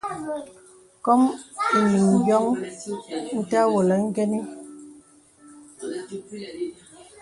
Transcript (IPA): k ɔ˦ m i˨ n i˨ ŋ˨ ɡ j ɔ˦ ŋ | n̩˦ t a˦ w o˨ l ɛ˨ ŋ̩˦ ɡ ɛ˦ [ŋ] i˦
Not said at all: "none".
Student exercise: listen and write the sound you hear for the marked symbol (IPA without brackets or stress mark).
n